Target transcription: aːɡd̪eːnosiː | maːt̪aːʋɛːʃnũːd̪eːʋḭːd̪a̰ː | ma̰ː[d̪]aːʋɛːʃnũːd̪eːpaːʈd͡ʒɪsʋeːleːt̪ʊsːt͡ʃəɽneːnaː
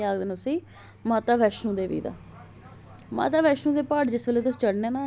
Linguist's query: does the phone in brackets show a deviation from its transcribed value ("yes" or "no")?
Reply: yes